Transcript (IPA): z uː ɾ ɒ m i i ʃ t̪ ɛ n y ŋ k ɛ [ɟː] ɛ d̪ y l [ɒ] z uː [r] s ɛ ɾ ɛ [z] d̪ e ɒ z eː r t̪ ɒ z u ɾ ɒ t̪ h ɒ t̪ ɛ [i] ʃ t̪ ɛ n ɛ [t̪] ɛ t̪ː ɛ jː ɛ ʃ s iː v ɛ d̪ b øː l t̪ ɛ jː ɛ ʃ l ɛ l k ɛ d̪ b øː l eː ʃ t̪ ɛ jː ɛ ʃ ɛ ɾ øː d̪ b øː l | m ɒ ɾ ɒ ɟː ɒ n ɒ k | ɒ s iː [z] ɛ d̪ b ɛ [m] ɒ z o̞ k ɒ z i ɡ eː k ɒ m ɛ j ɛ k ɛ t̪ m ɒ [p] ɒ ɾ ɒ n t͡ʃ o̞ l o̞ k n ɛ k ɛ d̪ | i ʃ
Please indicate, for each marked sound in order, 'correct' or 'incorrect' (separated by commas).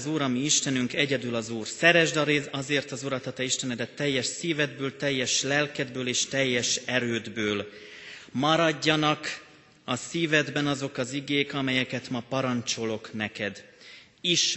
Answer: incorrect, correct, correct, incorrect, correct, incorrect, incorrect, incorrect, correct